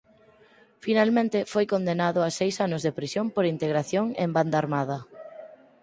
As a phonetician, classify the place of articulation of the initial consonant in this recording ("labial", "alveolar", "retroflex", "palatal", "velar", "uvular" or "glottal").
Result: labial